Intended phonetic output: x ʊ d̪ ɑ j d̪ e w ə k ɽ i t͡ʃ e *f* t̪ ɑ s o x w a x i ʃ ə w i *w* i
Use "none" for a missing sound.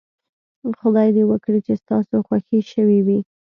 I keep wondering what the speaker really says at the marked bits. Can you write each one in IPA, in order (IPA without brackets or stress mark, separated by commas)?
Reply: s, w